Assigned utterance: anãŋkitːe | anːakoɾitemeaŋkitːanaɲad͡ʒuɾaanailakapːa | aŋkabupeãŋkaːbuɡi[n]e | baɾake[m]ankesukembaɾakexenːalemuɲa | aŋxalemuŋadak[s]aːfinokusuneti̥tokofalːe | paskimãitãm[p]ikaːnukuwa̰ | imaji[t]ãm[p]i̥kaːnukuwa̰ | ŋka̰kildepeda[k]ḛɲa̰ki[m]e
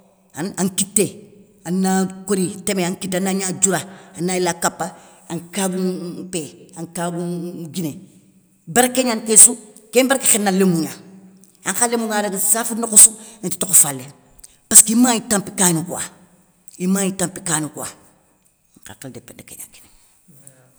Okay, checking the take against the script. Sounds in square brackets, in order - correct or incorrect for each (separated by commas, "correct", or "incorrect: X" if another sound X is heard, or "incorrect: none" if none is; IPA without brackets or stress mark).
correct, incorrect: ɲ, correct, correct, correct, correct, correct, incorrect: n